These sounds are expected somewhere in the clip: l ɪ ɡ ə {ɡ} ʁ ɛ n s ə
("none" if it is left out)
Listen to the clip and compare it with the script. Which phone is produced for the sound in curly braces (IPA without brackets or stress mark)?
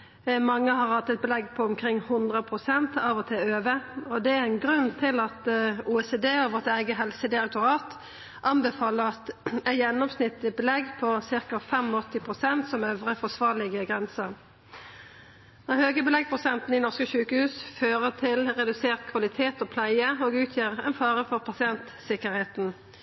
ɡ